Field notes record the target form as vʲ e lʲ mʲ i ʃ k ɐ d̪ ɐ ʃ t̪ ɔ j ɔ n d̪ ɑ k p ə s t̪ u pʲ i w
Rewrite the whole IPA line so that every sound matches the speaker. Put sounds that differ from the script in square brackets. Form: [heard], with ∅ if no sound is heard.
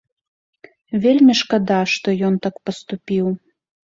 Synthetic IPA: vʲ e lʲ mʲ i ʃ k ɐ d̪ [ɑ] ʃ t̪ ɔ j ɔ n [t̪] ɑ k p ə s t̪ u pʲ i w